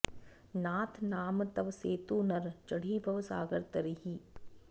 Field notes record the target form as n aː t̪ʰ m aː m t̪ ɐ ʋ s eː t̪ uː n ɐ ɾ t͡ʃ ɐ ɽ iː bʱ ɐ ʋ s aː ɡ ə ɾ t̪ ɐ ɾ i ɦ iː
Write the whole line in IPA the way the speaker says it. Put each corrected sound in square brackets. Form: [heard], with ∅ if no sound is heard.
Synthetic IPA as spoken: n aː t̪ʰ [n] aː m t̪ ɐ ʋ s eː t̪ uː n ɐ ɾ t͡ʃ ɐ ɽ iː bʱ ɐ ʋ s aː ɡ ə ɾ t̪ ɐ ɾ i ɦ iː